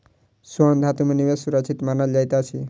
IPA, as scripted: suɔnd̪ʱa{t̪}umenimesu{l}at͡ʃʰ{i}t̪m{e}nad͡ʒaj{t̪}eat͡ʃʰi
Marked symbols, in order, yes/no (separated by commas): yes, no, yes, no, yes